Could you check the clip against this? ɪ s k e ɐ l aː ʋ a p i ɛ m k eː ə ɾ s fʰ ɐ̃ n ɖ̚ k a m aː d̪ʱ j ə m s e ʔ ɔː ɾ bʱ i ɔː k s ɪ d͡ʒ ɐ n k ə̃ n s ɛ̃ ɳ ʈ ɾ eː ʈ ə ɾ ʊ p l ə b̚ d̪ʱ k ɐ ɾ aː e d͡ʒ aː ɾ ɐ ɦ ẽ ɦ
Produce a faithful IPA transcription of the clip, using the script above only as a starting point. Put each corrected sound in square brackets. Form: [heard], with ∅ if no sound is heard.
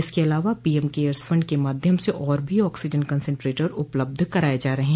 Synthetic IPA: ɪ s k e ɐ l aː ʋ a p i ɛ m k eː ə ɾ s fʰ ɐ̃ [ɳ] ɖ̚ k [e] m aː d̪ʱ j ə m s e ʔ ɔː ɾ bʱ i ɔː k s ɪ d͡ʒ [ə] n k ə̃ n s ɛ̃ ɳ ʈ ɾ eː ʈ ə ɾ ʊ p l ə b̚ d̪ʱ k ɐ ɾ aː e d͡ʒ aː ɾ ɐ ɦ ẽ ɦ